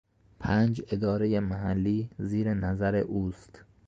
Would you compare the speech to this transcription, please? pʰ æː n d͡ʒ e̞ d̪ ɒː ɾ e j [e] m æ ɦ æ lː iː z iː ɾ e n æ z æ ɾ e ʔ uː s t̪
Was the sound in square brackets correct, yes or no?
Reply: yes